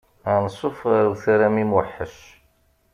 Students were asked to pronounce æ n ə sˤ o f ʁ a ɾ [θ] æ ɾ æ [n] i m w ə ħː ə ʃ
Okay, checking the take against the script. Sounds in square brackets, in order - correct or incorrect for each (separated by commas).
correct, incorrect